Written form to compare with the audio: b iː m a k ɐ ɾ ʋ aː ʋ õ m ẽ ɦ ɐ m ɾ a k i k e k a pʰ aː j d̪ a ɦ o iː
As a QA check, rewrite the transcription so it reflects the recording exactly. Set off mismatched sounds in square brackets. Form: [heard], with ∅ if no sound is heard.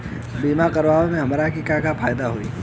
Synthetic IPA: b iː m a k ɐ ɾ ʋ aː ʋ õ m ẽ ɦ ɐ m ɾ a k i k [a] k a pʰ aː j d̪ a ɦ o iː